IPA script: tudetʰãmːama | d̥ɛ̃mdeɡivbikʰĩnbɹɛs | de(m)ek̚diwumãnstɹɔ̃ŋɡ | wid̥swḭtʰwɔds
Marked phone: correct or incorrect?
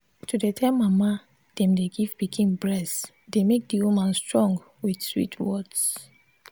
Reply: correct